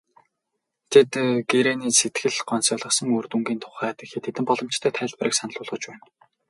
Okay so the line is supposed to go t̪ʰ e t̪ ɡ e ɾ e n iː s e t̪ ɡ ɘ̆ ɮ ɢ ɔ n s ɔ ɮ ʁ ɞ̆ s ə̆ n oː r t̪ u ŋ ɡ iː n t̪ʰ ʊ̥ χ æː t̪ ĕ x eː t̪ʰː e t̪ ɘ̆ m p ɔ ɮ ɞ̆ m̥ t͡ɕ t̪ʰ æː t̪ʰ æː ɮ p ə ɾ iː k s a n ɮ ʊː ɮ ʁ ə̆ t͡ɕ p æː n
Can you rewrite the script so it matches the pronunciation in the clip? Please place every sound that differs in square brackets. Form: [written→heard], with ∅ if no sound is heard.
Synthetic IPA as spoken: t̪ʰ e t̪ ɡ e ɾ e n iː s e t̪ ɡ ɘ̆ ɮ ɢ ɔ n s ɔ ɮ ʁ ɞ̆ s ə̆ [n→ŋ] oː r t̪ u ŋ ɡ iː n t̪ʰ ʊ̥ χ æː t̪ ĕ x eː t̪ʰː e t̪ ɘ̆ m p ɔ ɮ ɞ̆ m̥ t͡ɕ t̪ʰ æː t̪ʰ æː ɮ p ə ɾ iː k s a n ɮ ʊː ɮ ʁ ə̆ t͡ɕ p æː n